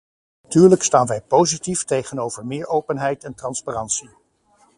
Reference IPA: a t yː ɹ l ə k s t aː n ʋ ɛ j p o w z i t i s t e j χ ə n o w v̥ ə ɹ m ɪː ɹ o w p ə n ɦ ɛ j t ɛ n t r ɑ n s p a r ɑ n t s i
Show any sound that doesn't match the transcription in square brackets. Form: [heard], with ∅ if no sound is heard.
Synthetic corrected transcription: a t yː ɹ l ə k s t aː n ʋ ɛ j p o w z i t i [f] t e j χ ə n o w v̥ ə ɹ m ɪː ɹ o w p ə n ɦ ɛ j t ɛ n t r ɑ n s p a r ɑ n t s i